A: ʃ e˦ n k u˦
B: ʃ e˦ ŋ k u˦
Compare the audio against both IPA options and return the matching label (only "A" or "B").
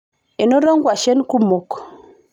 A